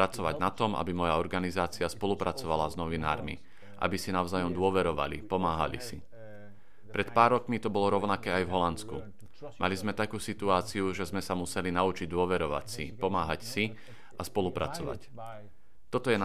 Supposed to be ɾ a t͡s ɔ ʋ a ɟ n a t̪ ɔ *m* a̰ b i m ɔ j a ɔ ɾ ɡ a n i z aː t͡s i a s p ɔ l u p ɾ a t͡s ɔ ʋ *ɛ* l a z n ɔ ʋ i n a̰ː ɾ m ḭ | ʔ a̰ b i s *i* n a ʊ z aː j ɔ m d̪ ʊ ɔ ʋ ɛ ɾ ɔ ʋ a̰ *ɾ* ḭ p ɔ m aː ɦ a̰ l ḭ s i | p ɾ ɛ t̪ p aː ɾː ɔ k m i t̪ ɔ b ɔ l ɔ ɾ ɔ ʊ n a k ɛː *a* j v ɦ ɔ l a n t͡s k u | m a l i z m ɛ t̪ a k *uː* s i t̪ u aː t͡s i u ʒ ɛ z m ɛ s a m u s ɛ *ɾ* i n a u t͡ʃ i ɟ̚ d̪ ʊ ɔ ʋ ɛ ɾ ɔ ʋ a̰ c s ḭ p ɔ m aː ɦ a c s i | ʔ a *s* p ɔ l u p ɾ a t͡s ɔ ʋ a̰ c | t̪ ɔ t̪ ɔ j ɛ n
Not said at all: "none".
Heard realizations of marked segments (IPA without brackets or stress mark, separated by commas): m, a, i, l, a, uː, l, s